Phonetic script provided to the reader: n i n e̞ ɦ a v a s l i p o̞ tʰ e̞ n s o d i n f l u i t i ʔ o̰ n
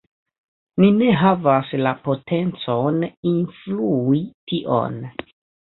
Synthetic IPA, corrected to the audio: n i n e̞ ɦ a v a s l a p o̞ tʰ e̞ n t͡s o n i n f l u i t i ʔ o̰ n